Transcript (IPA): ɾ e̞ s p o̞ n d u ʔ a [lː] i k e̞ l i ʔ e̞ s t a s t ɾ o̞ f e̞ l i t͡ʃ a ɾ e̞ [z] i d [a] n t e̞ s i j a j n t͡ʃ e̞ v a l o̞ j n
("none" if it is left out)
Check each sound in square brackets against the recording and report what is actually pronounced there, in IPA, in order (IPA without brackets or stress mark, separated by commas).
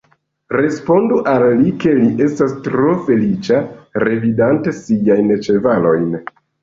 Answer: lː, v, a